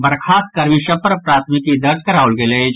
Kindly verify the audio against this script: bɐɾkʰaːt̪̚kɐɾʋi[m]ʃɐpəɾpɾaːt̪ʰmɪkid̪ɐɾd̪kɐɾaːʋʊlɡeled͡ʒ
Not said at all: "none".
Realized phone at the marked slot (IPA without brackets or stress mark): none